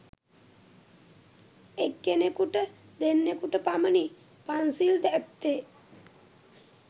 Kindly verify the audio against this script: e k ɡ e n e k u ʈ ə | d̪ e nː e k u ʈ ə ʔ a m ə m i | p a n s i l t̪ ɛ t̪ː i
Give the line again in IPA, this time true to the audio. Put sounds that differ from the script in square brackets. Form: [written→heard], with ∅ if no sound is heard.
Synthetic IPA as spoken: e k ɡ e n e k u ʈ ə | d̪ e nː e k u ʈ ə [ʔ→p] a m ə [m→n] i | p a n s i l [t̪→d̪] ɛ t̪ː [i→e]